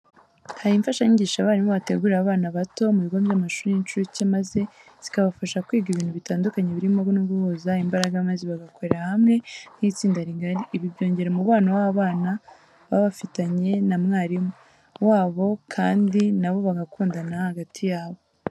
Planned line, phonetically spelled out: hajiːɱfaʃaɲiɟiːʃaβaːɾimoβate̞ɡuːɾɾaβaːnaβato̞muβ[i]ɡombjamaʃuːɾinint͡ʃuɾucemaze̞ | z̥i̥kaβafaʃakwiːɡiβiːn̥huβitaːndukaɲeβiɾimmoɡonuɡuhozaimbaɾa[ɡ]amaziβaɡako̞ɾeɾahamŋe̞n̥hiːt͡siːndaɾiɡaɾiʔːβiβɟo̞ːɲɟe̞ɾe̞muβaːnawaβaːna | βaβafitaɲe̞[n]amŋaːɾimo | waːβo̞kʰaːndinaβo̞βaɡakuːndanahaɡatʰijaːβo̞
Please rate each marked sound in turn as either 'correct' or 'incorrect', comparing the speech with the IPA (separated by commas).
correct, correct, correct